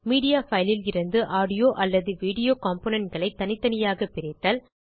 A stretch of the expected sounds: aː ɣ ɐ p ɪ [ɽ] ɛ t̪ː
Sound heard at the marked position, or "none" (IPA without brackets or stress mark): ɾ